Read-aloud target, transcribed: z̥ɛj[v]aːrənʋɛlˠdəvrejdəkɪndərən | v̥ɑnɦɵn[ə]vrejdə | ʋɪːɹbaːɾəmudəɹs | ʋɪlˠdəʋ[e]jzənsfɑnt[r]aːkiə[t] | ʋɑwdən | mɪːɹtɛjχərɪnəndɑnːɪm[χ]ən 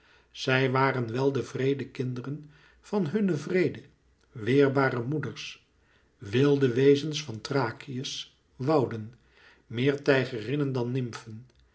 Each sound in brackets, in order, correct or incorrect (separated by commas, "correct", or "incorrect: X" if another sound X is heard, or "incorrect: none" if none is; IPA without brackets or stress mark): incorrect: ʋ, correct, correct, correct, incorrect: s, incorrect: f